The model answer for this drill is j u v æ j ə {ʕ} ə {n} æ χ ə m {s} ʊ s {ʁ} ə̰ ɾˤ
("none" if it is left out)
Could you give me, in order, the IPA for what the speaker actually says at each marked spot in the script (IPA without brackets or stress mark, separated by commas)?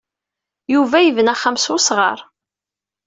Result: v, n, s, ʁ